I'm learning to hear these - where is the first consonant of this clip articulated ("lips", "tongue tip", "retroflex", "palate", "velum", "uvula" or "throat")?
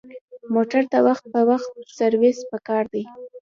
lips